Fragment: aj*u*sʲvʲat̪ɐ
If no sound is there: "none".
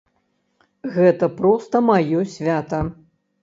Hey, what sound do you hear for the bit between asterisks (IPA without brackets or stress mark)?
ɔ